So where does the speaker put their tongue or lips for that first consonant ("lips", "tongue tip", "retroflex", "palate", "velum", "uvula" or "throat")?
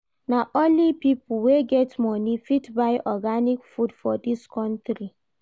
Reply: tongue tip